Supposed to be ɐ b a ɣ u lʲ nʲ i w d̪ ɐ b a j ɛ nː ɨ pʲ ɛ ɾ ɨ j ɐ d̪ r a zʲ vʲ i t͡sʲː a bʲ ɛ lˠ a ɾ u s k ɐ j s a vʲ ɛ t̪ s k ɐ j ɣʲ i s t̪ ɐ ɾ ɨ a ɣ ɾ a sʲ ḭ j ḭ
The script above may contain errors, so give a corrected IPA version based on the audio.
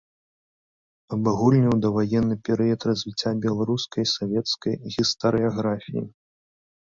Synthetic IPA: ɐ b a ɣ u lʲ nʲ i w d̪ ɐ v a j ɛ nː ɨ pʲ ɛ ɾ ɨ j ɐ t̪ r ɐ zʲ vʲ i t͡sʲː a bʲ ɛ lˠ a ɾ u s k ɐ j s a vʲ ɛ t̪ s k ɐ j ɣʲ i s t̪ ɐ ɾ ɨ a ɣ ɾ a fʲ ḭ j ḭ